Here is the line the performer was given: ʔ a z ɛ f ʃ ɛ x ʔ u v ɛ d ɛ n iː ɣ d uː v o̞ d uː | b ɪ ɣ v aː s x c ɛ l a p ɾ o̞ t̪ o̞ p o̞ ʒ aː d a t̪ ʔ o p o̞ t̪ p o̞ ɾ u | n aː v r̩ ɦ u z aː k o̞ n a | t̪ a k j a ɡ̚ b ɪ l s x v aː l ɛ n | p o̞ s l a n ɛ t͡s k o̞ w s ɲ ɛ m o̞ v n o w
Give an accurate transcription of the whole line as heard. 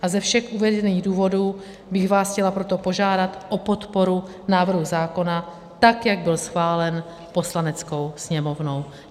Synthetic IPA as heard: ʔ a z ɛ f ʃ ɛ x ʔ u v ɛ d ɛ n iː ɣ d uː v o̞ d uː | b ɪ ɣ v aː s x c ɛ l a p ɾ o̞ t̪ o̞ p o̞ ʒ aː d a t̪ ʔ o p o̞ t̪ p o̞ ɾ u | n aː v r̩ ɦ u z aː k o̞ n a | t̪ a k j a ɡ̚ b ɪ l s x v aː l ɛ n | p o̞ s l a n ɛ t͡s k o̞ w s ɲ ɛ m o̞ v n o w